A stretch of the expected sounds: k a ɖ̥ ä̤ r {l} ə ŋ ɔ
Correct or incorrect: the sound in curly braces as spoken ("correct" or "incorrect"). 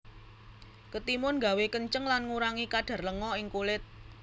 correct